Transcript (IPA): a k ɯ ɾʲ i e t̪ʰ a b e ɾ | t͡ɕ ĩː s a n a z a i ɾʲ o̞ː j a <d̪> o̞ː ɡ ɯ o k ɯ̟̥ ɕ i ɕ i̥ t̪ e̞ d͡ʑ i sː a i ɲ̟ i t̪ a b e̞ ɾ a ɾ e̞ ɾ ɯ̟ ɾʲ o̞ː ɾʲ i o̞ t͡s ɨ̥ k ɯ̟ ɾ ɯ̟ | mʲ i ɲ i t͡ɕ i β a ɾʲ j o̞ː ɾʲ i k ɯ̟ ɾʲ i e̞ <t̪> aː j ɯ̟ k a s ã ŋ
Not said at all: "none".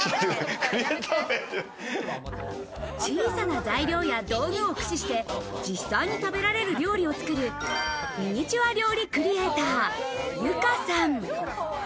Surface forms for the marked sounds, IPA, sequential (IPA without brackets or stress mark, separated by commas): d̪, t̪